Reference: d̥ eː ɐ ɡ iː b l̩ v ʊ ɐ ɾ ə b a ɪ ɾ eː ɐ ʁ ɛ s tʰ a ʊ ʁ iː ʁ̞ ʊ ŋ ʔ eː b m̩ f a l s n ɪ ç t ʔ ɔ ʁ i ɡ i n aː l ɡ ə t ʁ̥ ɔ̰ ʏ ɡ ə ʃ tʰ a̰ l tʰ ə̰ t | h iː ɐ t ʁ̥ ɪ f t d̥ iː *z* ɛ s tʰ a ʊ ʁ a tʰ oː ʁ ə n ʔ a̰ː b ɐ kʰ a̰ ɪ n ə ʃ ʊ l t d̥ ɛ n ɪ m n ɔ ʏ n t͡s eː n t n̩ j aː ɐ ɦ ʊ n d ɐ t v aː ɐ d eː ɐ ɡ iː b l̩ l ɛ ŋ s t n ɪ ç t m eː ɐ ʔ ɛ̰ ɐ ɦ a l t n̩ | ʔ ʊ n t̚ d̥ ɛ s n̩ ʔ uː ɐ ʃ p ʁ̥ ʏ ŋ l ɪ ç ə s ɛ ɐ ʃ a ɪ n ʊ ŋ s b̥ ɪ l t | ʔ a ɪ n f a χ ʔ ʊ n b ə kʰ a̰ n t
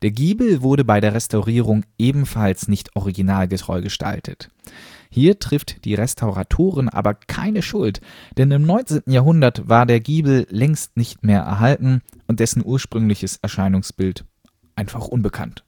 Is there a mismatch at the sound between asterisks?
yes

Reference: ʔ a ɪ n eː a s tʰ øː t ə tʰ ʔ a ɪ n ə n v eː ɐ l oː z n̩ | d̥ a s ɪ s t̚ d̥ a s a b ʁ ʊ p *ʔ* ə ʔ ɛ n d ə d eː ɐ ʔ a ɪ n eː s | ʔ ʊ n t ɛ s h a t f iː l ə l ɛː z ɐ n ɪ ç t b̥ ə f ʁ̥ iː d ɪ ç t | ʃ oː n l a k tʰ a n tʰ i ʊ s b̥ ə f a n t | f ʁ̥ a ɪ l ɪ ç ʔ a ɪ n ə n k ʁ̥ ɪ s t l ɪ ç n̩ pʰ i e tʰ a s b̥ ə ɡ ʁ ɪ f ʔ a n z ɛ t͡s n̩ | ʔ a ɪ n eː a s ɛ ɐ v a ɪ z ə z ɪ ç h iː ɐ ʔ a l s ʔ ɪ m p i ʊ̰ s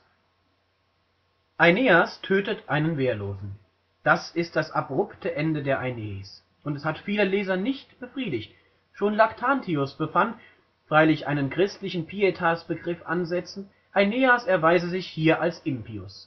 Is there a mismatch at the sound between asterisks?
yes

